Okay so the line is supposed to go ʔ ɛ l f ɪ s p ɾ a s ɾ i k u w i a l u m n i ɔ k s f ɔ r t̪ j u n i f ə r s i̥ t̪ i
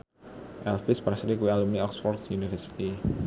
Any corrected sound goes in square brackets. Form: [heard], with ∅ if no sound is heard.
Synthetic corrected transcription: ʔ ɛ l f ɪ s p ɾ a s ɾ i k u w i a l u m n i ɔ k s f ɔ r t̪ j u n i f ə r s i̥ t̪ i